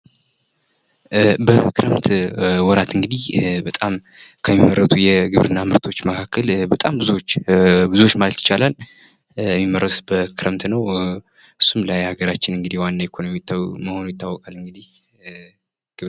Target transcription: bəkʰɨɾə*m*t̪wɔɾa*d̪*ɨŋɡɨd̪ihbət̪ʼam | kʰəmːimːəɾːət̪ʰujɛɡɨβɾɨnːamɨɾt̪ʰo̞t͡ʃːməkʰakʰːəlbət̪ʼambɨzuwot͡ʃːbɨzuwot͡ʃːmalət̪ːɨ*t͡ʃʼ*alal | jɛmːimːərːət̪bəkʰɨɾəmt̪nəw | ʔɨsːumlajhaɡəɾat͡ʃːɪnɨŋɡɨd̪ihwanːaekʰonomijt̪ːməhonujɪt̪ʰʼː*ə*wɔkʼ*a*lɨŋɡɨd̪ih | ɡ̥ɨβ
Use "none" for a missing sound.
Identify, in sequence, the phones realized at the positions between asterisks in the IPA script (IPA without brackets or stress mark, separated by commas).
m, t̪, t͡ʃ, a, a